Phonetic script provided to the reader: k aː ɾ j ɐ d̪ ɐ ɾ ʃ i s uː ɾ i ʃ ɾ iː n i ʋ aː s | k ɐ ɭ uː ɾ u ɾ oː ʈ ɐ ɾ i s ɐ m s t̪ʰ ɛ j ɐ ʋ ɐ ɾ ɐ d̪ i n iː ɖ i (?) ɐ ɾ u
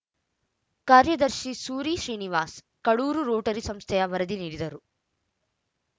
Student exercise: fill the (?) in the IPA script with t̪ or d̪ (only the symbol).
d̪